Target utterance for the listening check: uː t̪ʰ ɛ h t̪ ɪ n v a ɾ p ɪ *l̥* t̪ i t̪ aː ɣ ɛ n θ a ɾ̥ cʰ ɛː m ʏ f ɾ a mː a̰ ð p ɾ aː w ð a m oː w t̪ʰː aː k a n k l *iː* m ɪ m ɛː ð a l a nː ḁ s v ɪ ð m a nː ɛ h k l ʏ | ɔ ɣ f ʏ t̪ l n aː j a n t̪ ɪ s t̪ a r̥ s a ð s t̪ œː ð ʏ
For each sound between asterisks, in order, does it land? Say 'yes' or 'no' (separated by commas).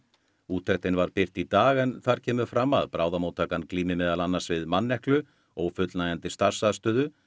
no, yes